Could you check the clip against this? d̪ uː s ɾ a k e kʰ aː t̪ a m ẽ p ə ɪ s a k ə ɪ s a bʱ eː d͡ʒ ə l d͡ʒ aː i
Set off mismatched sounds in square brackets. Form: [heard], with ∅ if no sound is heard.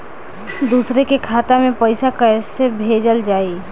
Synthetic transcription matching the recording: d̪ uː s ɾ [e] k e kʰ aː t̪ a m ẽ p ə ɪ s a k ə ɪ s [e] bʱ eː d͡ʒ ə l d͡ʒ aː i